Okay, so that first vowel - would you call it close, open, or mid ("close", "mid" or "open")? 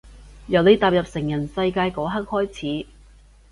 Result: open